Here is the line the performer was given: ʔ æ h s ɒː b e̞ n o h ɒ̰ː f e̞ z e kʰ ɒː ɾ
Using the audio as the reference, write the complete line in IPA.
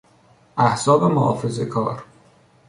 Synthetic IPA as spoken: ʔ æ h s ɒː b e̞ m o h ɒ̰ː f e̞ z e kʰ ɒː ɾ